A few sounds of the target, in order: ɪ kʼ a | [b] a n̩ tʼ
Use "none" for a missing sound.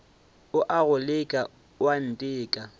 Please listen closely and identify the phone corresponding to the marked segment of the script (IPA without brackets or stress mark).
w